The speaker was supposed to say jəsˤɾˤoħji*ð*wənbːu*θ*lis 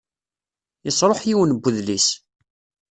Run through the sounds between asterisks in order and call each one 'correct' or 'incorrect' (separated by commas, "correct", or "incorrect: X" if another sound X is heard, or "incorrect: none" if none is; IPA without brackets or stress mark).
incorrect: none, incorrect: ð